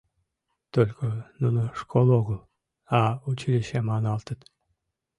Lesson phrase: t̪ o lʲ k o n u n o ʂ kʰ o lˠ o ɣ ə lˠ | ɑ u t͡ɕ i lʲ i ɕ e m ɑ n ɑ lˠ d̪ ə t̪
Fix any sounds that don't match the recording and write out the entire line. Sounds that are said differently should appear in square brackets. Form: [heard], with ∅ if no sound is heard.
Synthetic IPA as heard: t̪ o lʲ k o n u n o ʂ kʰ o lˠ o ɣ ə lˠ | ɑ u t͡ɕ i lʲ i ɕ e m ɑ n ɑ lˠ [t̪] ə t̪